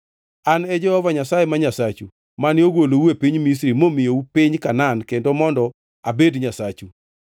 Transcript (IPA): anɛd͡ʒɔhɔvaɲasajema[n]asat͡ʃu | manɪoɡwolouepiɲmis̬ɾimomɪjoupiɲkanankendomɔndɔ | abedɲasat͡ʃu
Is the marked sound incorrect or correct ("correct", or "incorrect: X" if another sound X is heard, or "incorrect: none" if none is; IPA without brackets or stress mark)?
incorrect: ɲ